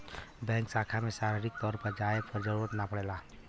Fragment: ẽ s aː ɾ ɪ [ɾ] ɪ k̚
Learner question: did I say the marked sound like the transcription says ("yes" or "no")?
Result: yes